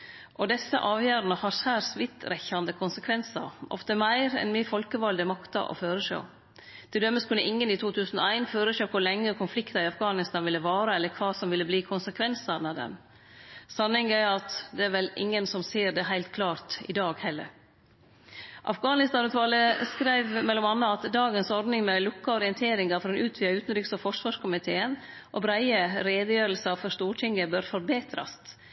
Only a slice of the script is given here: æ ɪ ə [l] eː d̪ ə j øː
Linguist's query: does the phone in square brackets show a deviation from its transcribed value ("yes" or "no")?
yes